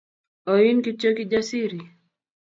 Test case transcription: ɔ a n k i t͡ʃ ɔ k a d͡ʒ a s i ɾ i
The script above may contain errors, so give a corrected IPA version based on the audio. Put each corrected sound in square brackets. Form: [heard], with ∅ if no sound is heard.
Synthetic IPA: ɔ [i] n k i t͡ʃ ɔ k [i] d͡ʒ a s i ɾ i